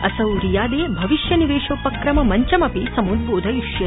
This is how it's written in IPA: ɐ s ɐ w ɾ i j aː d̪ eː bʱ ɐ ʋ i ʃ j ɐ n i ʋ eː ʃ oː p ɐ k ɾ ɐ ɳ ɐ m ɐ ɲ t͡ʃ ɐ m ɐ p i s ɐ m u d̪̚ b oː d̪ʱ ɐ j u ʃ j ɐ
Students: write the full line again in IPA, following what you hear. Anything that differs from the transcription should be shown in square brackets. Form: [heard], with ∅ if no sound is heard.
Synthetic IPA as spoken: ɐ s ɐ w ɾ i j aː d̪ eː bʱ ɐ ʋ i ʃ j ɐ n i ʋ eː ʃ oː p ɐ k ɾ ɐ [m] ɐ m ɐ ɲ t͡ʃ ɐ m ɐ p i s ɐ m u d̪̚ b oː d̪ʱ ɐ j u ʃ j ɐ